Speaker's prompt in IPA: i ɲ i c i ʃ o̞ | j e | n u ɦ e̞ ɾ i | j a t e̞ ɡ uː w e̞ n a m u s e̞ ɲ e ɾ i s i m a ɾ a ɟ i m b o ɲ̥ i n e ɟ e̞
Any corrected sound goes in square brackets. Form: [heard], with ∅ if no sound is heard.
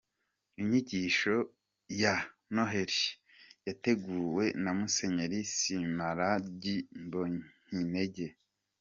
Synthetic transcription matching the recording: i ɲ i [ɟ] i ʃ o̞ | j [a] | n [o] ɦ e̞ ɾ i | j a t e̞ ɡ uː w e̞ n a m u s e̞ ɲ e ɾ i s i m a ɾ a ɟ i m b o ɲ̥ i n e ɟ e̞